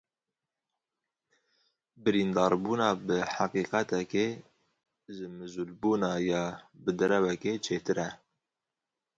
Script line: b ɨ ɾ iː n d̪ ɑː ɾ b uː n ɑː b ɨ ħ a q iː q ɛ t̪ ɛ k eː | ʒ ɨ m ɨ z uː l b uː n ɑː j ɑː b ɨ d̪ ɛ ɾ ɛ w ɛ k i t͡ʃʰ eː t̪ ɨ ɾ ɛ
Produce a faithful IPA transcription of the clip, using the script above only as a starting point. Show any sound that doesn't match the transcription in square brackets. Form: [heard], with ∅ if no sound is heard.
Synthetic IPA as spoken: b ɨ ɾ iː n d̪ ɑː ɾ b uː n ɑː b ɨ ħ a q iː q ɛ t̪ ɛ k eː | ʒ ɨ m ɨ z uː l b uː n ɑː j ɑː b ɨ d̪ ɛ ɾ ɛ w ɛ k [e] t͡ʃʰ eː t̪ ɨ ɾ ɛ